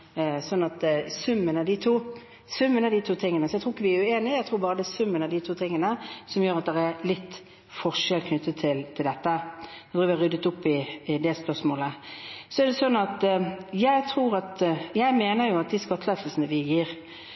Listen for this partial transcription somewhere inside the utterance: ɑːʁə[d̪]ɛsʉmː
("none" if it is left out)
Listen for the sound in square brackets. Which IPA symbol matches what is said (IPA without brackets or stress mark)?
d̪